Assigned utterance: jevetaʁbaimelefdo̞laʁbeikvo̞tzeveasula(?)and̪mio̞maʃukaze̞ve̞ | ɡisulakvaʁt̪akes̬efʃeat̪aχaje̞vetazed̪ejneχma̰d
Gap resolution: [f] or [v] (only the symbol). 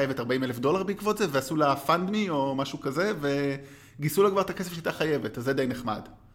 f